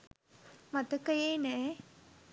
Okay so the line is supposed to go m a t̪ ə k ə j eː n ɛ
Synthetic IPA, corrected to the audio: m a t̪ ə k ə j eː n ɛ